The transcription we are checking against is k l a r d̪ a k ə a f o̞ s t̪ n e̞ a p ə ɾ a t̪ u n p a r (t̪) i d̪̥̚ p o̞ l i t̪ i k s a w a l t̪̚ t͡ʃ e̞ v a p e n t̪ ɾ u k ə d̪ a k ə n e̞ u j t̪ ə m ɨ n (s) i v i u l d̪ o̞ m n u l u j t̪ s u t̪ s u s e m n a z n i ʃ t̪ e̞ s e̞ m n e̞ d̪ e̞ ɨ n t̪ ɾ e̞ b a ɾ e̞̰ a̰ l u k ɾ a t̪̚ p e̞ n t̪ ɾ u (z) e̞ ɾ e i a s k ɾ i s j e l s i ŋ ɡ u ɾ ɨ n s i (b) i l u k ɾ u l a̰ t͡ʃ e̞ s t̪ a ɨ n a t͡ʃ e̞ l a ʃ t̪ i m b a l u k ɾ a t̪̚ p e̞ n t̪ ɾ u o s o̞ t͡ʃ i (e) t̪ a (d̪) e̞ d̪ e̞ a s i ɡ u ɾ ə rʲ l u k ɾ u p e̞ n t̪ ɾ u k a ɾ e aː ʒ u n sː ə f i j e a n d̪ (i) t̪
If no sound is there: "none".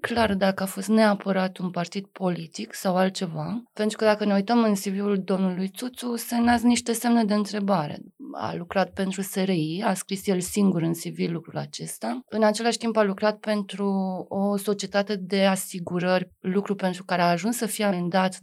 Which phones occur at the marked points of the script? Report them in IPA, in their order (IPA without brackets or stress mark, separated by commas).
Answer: t̪, s, s, v, e, t̪, a